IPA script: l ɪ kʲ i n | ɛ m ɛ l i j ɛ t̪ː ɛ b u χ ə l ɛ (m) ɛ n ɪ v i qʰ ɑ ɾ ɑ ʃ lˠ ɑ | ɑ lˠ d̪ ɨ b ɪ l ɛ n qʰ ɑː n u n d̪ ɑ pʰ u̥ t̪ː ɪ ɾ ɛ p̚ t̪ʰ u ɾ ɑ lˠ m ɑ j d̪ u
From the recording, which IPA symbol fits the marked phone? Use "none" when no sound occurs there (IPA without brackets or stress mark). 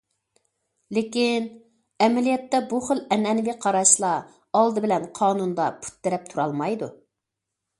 n